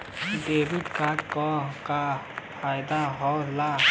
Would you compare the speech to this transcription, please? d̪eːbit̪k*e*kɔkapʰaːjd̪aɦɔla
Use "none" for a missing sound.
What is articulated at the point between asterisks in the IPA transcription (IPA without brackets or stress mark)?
a